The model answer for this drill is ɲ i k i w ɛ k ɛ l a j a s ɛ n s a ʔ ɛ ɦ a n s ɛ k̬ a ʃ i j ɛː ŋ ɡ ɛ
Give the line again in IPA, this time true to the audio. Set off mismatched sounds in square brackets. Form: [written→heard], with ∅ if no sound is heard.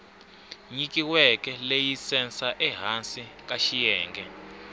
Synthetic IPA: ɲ i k i w ɛ k ɛ l [a→e] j [a→i] s ɛ n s a ʔ ɛ ɦ a n s [ɛ→i] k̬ a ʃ i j ɛː ŋ ɡ ɛ